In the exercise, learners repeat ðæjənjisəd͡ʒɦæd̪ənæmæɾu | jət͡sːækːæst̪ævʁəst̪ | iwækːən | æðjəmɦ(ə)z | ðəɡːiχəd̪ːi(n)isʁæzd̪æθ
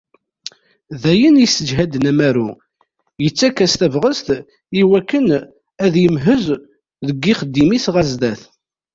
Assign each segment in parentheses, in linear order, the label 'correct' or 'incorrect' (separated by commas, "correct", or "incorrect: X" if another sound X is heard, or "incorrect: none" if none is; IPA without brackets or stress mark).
correct, incorrect: m